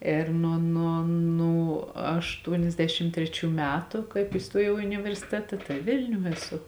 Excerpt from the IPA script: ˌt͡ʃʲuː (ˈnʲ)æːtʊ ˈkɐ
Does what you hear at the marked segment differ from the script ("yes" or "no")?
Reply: yes